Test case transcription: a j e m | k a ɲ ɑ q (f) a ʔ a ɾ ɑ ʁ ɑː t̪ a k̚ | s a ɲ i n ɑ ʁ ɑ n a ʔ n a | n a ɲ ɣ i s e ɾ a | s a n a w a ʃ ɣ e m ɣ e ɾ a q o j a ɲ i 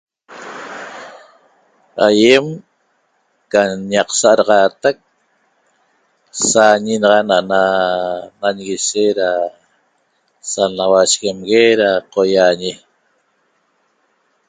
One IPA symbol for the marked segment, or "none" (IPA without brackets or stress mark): s